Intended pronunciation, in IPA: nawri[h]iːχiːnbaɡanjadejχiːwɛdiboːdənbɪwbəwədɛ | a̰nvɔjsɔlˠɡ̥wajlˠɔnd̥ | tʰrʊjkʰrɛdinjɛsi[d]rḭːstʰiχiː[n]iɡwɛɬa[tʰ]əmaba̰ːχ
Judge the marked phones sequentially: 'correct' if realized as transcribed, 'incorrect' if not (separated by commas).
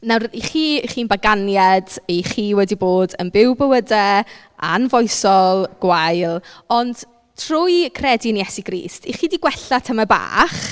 incorrect, incorrect, incorrect, correct